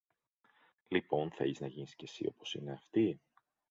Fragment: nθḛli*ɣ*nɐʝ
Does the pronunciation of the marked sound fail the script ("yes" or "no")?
yes